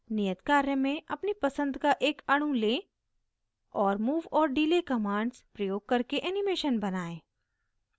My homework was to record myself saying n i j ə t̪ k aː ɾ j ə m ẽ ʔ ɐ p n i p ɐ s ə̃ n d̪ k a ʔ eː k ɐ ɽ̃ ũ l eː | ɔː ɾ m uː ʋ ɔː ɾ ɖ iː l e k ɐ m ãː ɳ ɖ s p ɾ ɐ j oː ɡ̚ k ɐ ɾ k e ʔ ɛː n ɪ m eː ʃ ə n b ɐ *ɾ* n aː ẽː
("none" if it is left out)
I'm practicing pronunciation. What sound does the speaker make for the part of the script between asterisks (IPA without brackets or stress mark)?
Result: none